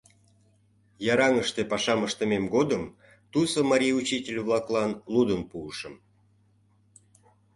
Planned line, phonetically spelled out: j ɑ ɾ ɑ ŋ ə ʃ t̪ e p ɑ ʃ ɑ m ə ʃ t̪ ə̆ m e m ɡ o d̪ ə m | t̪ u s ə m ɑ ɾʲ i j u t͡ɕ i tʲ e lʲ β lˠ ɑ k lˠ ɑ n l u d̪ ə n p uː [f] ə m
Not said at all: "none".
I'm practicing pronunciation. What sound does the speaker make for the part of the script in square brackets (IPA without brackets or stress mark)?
ʃ